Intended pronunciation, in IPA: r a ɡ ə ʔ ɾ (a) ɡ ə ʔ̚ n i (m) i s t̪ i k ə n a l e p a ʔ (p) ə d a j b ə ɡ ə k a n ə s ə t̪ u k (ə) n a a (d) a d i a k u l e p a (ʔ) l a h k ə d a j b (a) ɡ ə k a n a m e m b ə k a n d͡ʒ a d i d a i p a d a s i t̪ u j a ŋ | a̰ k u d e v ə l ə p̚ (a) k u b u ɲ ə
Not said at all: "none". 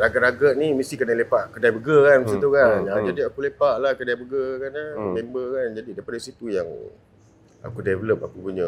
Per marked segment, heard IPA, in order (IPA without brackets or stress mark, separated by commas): a, m, k, a, d͡ʒ, ʔ, ə, a